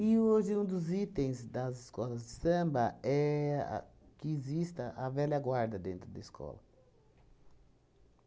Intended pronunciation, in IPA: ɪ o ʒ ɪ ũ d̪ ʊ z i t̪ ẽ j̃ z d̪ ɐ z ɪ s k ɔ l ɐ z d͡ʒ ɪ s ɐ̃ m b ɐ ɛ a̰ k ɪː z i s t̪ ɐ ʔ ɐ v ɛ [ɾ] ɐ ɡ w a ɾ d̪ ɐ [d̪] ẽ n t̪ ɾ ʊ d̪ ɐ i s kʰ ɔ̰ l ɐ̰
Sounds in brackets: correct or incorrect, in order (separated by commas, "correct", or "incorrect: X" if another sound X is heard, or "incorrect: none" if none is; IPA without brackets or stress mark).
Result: incorrect: l, correct